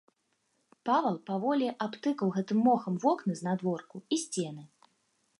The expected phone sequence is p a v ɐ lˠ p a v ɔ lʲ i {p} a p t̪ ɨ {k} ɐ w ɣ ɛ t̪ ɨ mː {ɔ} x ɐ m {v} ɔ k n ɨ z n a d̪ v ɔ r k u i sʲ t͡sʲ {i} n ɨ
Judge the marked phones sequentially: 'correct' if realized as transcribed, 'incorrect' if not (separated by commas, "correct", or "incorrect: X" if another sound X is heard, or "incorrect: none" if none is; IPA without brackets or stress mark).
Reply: incorrect: ʔ, correct, correct, correct, incorrect: ɛ